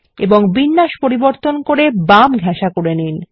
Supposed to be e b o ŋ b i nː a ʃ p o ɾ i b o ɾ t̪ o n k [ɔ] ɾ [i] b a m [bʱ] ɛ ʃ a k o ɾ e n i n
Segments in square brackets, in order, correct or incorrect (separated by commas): incorrect, incorrect, incorrect